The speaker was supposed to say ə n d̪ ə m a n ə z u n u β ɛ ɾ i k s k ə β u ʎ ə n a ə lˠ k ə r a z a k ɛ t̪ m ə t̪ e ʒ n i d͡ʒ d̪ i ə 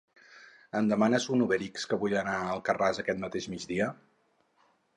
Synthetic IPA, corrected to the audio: ə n d̪ ə m a n ə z u n u β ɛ ɾ i k s k ə β u ʎ ə n a ə lˠ k ə r a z ə k ɛ t̪ m ə t̪ e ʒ m i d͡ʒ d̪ i ə